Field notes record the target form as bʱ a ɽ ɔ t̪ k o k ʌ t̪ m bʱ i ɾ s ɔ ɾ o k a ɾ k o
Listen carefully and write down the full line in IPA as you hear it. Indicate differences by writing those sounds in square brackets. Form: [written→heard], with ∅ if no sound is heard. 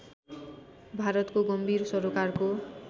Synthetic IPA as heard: bʱ a [ɽ→ɾ] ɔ t̪ k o [k→ɡ] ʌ [t̪→∅] m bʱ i ɾ s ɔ ɾ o k a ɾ k o